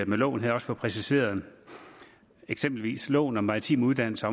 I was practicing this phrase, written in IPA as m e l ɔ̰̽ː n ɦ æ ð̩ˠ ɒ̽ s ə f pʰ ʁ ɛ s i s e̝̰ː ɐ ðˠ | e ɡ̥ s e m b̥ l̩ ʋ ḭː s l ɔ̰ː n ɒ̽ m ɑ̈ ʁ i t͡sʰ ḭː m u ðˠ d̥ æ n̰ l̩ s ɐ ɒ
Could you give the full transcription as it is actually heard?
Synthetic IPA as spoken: m e l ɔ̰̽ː n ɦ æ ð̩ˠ ɒ̽ s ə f pʰ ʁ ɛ s i s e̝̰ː ɐ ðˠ | e ɡ̥ s e m b̥ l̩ ʋ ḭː s l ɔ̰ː n ɒ̽ m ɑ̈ ʁ i t͡sʰ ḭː m u ðˠ d̥ æ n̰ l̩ s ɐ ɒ